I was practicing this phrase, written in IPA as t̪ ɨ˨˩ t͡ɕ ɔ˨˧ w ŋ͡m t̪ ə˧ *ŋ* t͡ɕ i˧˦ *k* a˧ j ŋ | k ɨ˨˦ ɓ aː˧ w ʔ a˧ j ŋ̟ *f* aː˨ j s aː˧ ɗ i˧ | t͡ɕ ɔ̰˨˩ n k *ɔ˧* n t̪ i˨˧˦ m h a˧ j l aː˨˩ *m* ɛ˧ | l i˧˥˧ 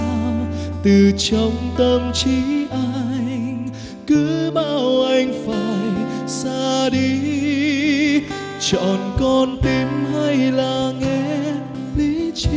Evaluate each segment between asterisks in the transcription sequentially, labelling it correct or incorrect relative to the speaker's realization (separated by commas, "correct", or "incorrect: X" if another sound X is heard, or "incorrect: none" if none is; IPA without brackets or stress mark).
incorrect: m, incorrect: ʔ, correct, correct, incorrect: ŋ